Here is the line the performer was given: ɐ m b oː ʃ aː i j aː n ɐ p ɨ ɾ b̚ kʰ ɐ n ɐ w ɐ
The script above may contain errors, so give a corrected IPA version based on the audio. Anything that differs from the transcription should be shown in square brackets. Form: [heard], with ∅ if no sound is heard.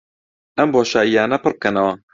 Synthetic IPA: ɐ m b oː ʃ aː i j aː n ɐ p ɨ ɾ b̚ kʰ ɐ n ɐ w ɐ